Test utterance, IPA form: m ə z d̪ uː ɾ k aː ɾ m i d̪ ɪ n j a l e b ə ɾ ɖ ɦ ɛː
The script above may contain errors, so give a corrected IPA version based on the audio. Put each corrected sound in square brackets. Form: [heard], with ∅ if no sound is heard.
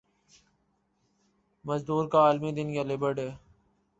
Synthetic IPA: m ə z d̪ uː ɾ k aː [l] m i d̪ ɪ n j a l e b ə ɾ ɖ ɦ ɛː